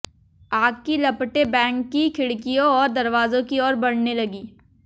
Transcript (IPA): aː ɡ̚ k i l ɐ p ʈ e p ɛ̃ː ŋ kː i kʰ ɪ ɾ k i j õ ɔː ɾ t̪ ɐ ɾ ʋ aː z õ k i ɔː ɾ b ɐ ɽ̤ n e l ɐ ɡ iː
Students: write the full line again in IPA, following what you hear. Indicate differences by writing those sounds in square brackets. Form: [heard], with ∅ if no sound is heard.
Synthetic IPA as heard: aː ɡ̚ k i l ɐ p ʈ e [b] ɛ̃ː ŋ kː i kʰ ɪ [ɽ] k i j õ ɔː ɾ [d̪] ɐ ɾ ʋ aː z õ k i ɔː ɾ b ɐ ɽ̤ n e l ɐ ɡ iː